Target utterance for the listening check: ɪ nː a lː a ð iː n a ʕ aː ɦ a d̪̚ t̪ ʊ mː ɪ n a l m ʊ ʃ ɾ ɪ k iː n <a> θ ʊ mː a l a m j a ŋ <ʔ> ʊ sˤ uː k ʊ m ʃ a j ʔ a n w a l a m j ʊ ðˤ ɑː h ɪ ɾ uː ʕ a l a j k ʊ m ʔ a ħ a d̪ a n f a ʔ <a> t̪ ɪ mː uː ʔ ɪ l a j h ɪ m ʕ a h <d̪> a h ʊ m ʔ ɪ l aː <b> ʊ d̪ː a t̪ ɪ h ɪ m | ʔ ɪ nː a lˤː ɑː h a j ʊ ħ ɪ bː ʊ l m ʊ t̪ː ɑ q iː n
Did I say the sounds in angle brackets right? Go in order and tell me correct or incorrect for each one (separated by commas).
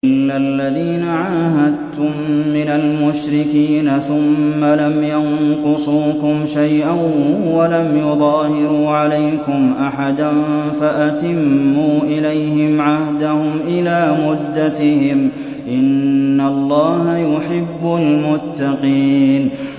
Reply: correct, incorrect, correct, correct, incorrect